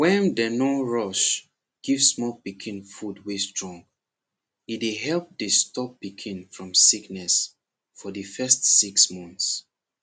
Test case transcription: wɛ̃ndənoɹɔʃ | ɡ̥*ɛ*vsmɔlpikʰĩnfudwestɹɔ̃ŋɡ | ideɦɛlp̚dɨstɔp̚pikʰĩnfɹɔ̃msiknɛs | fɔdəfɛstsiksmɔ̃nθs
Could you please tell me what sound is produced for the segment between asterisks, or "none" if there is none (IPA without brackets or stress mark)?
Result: i